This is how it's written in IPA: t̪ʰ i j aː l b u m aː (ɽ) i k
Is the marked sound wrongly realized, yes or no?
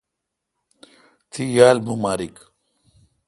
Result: yes